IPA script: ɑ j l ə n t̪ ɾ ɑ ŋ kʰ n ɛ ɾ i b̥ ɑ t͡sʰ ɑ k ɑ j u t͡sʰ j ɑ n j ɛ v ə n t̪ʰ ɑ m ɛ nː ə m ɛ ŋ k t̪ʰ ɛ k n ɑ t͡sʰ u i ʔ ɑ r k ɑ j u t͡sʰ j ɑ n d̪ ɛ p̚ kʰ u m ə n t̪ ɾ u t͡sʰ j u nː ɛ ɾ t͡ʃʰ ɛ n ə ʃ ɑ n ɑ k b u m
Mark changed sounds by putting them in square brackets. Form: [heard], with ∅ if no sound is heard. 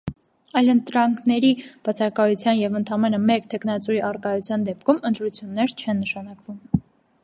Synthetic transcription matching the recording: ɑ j l ə n t̪ ɾ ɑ ŋ kʰ n ɛ ɾ i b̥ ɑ t͡sʰ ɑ k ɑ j u t͡sʰ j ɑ n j ɛ v ə n t̪ʰ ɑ m ɛ [n] ə m ɛ [∅] k t̪ʰ ɛ k n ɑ [t͡s] u i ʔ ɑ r k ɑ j u t͡sʰ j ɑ n d̪ ɛ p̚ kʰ u m ə n t̪ ɾ u t͡sʰ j u nː ɛ ɾ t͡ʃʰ ɛ [nː] ə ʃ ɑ n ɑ k [v] u m